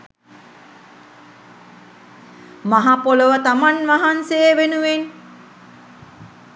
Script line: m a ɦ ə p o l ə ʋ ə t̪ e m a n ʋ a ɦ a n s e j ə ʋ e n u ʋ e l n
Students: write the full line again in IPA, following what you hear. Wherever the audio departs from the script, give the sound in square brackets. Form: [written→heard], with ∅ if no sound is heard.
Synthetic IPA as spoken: m a ɦ [ə→a] p o l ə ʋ ə t̪ [e→a] m a n ʋ a ɦ a n s e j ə ʋ e n u ʋ e [l→∅] n